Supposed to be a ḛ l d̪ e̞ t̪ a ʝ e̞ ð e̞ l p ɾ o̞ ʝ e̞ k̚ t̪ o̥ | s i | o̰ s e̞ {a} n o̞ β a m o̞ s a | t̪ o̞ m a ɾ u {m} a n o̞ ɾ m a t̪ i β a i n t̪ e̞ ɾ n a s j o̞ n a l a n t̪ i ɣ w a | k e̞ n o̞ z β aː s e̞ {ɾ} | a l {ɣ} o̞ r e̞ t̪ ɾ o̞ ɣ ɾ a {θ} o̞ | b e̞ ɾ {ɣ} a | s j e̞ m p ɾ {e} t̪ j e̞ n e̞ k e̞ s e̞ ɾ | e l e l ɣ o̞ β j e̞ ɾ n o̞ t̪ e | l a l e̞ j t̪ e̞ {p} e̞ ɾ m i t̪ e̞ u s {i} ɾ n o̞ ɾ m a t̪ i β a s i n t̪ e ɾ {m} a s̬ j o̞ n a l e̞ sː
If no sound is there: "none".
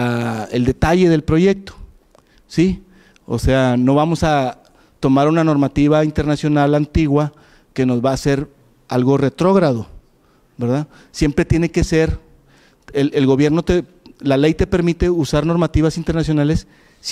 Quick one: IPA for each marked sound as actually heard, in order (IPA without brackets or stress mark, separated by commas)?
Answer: a, n, ɾ, ɣ, ð, ð, e, p, a, n